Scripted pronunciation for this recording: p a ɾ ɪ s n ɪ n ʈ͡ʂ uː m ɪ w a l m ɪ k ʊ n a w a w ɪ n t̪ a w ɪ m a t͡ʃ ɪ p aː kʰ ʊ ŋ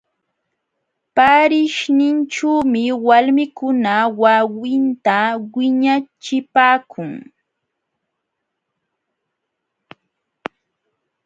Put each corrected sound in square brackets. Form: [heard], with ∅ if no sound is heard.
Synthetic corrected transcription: p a ɾ ɪ [ʃ] n ɪ n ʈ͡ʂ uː m ɪ w a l m ɪ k ʊ n a w a w ɪ n t̪ a w ɪ [ɲ] a t͡ʃ ɪ p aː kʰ ʊ ŋ